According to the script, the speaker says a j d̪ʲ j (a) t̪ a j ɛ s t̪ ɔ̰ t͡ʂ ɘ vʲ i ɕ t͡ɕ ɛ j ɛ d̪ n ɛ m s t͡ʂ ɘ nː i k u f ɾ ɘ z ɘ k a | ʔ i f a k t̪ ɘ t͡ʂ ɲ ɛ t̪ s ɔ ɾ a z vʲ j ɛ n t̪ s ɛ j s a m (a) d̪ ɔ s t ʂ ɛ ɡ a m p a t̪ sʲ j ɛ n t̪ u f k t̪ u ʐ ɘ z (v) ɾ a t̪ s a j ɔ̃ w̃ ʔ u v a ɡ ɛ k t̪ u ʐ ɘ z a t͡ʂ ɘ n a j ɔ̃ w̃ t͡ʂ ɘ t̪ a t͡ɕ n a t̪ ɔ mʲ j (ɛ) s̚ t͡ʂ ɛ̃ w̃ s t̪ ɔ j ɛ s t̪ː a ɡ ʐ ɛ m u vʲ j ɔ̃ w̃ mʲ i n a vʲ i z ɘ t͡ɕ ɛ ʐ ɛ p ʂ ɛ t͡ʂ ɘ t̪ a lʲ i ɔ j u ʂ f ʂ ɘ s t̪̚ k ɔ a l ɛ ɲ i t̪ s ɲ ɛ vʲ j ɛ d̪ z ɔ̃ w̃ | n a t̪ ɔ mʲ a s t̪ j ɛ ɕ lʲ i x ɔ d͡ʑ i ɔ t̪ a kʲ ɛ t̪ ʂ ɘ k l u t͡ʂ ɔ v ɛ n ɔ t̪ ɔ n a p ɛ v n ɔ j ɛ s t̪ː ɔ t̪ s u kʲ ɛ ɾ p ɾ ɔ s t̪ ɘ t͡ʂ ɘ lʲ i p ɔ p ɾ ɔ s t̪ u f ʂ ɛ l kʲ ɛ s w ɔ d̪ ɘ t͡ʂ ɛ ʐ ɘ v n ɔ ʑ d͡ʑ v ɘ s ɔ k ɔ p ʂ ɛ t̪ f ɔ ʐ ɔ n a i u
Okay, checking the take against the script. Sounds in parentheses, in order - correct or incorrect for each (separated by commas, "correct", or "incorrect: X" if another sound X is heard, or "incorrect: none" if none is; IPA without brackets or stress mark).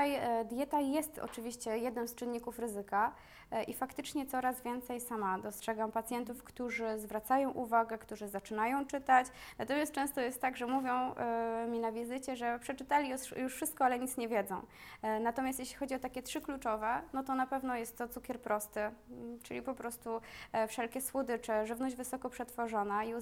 incorrect: ɛ, correct, correct, incorrect: a